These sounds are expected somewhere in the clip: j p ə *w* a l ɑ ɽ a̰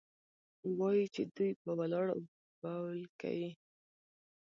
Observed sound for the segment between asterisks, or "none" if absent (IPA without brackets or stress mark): w